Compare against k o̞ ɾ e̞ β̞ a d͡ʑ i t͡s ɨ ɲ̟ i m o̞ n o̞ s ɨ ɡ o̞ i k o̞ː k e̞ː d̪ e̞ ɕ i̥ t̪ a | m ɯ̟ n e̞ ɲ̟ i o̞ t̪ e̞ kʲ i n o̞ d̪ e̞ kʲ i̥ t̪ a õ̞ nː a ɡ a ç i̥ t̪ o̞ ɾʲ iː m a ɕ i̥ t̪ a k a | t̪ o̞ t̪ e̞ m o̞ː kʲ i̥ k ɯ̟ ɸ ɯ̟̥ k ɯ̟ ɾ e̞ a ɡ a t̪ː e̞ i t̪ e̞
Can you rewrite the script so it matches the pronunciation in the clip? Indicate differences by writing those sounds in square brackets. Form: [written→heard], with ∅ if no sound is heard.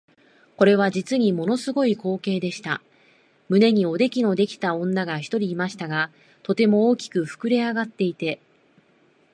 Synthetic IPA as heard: k o̞ ɾ e̞ β̞ a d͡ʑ i t͡s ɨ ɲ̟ i m o̞ n o̞ s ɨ ɡ o̞ i k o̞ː k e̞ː d̪ e̞ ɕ i̥ t̪ a | m ɯ̟ n e̞ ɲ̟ i o̞ [t̪→d̪] e̞ kʲ i n o̞ d̪ e̞ kʲ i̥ t̪ a õ̞ nː a ɡ a ç i̥ t̪ o̞ ɾʲ iː m a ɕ i̥ t̪ a [k→ɡ] a | t̪ o̞ t̪ e̞ m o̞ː kʲ i̥ k ɯ̟ ɸ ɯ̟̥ k ɯ̟ ɾ e̞ a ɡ a t̪ː e̞ i t̪ e̞